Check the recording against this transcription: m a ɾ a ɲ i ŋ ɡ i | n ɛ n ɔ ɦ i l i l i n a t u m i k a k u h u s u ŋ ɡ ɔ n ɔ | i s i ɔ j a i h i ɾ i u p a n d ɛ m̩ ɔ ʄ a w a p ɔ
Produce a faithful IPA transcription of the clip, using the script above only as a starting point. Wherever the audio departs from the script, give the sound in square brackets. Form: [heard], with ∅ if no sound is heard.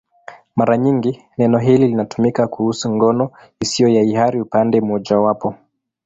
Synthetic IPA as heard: m a ɾ a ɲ i ŋ ɡ i | n ɛ n ɔ ɦ i l i l i n a t u m i k a k u h u s u ŋ ɡ ɔ n ɔ | i s i ɔ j a i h [a] ɾ i u p a n d ɛ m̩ ɔ ʄ a w a p ɔ